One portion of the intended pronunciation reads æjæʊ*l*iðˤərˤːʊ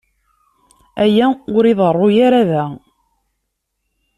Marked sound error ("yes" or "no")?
yes